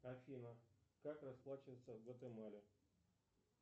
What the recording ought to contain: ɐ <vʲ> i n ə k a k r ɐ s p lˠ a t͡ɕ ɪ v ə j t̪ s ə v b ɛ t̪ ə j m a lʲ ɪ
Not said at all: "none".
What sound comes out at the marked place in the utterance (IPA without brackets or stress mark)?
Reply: fʲ